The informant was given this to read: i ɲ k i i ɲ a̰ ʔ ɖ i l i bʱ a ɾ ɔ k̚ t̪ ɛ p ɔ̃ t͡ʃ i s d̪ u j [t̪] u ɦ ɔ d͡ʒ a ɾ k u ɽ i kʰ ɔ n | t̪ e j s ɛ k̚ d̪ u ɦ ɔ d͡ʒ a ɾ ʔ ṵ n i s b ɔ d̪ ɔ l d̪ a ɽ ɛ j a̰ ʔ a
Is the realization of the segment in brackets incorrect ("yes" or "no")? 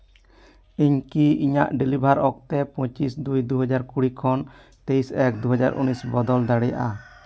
yes